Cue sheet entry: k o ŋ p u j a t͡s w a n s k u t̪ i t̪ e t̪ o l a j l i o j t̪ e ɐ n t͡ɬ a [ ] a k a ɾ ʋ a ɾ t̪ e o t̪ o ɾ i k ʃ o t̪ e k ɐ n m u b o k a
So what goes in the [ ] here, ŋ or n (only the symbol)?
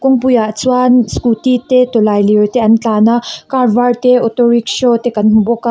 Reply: n